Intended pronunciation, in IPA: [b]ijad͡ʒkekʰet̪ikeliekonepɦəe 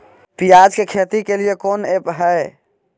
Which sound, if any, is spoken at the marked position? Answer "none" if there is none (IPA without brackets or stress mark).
p